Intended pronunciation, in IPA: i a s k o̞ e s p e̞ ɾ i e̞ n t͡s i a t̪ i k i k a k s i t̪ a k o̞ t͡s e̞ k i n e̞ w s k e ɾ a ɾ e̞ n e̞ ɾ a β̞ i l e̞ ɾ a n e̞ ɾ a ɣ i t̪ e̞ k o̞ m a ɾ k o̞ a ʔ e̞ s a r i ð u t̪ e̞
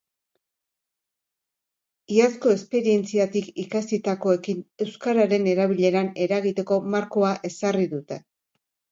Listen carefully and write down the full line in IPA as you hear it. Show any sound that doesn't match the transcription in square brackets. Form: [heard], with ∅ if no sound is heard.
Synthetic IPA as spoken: i a s k o̞ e s p e̞ ɾ i e̞ n t͡s i a t̪ i k i k a [∅] s i t̪ a k o̞ [∅] e̞ k i n e̞ w s k [a] ɾ a ɾ e̞ n e̞ ɾ a β̞ i [ʎ] e̞ ɾ a n e̞ ɾ a ɣ i t̪ e̞ k o̞ m a ɾ k o̞ a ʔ e̞ s a r i ð u t̪ e̞